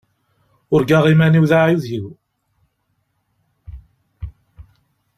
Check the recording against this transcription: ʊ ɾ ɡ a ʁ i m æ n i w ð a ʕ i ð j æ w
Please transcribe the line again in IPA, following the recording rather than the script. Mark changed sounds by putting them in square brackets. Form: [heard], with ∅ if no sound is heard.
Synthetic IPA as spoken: ʊ ɾ ɡ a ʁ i m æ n i w ð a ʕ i ð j [i] w